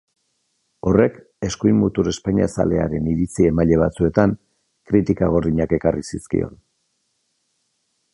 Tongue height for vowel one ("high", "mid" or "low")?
mid